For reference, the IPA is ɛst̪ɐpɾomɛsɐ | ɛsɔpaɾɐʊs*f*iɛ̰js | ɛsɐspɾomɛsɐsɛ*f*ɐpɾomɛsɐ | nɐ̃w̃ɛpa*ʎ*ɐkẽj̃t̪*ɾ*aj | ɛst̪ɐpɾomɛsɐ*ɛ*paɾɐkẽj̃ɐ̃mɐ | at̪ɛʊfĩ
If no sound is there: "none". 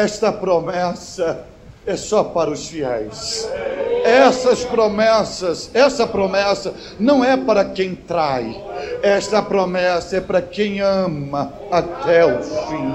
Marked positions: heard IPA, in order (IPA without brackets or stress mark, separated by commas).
f, s, ɾ, ɾ, ɛ